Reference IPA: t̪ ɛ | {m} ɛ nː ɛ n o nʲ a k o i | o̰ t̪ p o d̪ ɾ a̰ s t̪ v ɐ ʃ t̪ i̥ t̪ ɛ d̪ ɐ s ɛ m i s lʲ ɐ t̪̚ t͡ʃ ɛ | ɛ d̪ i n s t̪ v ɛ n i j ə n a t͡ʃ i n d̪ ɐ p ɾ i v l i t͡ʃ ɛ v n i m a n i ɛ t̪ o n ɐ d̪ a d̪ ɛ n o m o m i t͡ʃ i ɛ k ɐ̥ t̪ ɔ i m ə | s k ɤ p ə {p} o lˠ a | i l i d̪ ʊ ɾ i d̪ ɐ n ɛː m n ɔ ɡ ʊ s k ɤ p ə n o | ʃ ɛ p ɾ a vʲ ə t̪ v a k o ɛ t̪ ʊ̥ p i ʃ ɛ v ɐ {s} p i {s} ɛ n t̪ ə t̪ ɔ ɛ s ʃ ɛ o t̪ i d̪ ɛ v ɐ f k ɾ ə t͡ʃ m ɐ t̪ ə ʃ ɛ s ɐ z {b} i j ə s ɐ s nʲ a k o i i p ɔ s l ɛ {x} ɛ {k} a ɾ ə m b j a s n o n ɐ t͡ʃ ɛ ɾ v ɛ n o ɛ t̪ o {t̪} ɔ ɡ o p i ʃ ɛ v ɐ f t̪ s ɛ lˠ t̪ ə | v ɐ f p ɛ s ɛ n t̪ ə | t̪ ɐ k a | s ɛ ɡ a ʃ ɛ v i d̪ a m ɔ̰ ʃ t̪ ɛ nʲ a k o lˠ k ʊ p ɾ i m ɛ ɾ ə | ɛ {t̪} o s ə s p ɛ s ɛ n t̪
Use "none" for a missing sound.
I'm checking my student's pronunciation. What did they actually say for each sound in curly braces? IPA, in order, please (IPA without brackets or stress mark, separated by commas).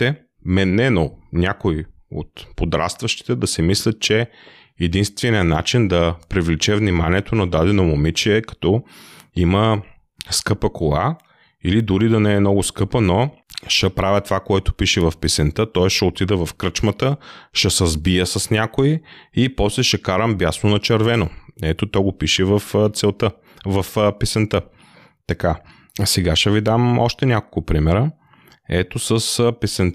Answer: m, k, f, s, b, ʃ, k, t̪, t̪